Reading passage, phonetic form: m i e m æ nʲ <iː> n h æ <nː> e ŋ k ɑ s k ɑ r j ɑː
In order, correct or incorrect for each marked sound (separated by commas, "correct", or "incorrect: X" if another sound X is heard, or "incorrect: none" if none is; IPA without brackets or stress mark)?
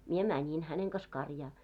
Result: incorrect: i, incorrect: n